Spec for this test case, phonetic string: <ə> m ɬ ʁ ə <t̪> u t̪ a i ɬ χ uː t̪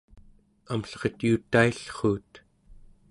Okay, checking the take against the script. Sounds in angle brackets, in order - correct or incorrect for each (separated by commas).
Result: incorrect, correct